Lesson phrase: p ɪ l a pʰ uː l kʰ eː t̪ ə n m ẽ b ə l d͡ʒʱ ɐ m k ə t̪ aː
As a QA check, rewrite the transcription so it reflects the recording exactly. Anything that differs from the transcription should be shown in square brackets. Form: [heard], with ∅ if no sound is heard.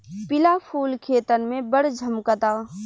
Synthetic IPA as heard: p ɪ l a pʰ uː l kʰ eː t̪ ə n m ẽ b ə [ɽ] d͡ʒʱ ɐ m k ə t̪ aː